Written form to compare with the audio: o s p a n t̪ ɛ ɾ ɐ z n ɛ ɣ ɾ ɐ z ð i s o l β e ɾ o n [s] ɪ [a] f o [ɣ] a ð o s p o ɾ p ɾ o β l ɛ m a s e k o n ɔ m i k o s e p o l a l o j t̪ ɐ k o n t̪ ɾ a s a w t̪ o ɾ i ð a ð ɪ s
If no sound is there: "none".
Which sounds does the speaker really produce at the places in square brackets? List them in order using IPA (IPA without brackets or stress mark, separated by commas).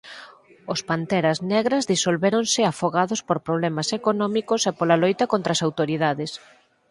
s, a, ɣ